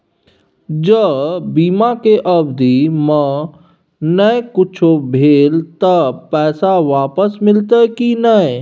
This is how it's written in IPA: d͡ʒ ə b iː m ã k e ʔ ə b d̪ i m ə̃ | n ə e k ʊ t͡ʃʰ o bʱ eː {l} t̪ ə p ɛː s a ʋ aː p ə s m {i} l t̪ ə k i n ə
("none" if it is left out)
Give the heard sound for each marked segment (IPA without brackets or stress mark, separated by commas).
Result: l, ɪ